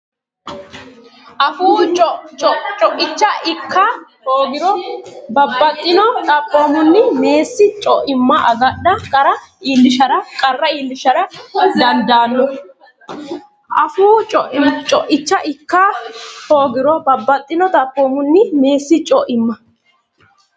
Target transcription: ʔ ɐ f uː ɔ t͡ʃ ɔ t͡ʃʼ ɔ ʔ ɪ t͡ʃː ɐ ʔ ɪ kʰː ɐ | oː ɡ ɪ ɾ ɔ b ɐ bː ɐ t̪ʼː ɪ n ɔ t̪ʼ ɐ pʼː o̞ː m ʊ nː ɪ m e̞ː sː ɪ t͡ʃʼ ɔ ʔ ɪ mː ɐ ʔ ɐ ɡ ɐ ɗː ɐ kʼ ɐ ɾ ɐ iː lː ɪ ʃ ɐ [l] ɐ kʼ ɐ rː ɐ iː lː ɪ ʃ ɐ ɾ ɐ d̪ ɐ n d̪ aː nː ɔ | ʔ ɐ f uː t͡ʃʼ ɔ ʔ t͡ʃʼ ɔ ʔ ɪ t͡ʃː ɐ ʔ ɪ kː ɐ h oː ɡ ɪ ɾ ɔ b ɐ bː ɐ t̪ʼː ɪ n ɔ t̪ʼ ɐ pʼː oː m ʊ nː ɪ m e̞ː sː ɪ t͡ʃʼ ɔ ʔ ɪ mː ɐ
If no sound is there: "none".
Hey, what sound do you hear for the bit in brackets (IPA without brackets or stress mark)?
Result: ɾ